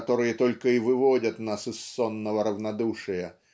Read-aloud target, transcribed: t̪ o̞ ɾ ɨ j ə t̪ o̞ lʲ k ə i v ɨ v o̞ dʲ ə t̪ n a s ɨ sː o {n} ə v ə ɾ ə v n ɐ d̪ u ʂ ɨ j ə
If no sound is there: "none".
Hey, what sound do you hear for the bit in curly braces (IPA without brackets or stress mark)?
nː